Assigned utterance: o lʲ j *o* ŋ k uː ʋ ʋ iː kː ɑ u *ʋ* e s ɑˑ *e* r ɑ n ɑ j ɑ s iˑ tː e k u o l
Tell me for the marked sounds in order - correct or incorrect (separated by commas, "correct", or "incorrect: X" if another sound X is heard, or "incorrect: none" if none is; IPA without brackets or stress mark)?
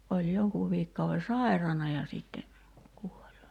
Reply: correct, correct, incorrect: i